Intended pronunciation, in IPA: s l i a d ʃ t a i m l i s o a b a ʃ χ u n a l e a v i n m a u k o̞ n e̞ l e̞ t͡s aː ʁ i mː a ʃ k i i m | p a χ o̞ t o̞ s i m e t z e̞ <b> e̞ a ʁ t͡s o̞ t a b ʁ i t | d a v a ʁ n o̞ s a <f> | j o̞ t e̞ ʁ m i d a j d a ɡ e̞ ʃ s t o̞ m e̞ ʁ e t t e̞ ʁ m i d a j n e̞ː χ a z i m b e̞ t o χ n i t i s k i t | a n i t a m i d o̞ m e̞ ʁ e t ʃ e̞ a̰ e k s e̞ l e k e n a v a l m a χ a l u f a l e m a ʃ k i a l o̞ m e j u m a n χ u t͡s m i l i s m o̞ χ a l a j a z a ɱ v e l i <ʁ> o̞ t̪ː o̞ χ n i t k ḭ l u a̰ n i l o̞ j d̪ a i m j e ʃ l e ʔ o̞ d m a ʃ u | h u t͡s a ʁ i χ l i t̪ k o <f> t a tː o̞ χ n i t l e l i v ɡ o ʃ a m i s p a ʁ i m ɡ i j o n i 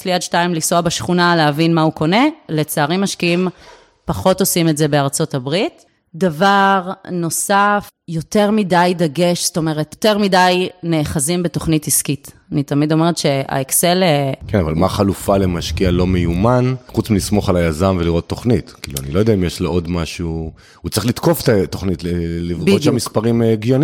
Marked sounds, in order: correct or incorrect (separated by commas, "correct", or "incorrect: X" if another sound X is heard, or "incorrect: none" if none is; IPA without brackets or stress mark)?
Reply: correct, correct, correct, correct